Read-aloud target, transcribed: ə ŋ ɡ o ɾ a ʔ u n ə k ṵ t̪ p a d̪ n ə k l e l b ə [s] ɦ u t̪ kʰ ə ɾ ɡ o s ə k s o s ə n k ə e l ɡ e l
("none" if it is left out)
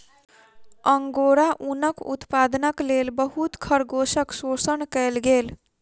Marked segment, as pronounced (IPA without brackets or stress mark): none